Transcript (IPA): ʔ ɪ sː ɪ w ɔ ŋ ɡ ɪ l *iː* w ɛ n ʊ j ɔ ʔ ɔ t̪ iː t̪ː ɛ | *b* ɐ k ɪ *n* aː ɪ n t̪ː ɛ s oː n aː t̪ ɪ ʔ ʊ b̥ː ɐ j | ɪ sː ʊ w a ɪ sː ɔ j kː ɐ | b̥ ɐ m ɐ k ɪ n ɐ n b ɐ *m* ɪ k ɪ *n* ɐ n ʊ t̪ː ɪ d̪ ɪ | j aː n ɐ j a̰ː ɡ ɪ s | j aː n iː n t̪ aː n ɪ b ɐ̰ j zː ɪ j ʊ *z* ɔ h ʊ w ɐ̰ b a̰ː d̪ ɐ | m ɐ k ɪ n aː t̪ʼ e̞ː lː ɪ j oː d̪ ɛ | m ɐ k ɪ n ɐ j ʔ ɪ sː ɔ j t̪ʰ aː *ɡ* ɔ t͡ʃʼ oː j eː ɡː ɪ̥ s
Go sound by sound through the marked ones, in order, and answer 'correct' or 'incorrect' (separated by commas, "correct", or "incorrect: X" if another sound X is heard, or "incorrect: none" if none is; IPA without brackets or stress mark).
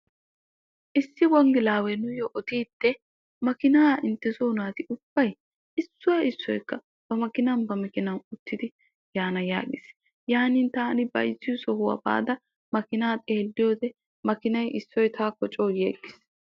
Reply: incorrect: aː, incorrect: m, correct, correct, correct, incorrect: s, incorrect: k